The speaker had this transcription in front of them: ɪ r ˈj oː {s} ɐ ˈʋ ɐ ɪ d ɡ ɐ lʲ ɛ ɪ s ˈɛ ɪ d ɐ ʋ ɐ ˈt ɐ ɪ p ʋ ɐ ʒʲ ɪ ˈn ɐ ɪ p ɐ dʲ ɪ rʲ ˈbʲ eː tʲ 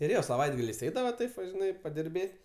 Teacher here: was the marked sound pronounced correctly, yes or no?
yes